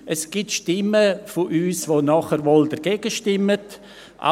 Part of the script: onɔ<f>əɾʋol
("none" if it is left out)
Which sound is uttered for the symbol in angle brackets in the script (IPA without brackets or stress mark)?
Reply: χ